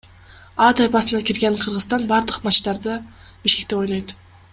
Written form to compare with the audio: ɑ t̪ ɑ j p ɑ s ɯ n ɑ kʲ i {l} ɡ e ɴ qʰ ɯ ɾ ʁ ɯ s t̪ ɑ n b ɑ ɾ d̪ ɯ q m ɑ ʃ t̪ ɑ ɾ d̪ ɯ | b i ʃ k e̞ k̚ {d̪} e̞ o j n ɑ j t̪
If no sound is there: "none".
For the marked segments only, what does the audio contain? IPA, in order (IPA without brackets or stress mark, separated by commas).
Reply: ɾ, t̪